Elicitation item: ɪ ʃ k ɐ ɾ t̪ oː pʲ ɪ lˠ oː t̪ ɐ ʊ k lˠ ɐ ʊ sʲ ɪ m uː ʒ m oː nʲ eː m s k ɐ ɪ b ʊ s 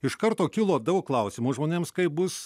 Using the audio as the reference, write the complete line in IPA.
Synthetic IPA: ɪ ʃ k ɐ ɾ t̪ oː kʲ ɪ lˠ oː d̪ ɐ ʊ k lˠ ɐ ʊ sʲ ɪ m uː ʒ m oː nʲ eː m s k ɐ ɪ b ʊ s